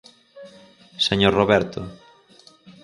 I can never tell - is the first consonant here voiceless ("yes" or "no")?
yes